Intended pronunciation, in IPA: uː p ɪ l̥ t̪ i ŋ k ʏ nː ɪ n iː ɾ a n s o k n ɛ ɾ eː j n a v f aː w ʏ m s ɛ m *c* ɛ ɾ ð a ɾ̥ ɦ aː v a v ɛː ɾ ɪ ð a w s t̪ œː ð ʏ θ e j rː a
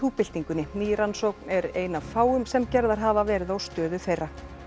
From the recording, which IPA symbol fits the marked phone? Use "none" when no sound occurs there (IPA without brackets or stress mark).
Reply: c